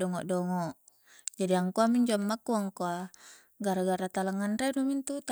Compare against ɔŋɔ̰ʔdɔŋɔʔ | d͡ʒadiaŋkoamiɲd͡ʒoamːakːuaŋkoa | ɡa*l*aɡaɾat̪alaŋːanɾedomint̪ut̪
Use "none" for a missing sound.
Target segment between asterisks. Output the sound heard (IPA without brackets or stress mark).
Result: ɾ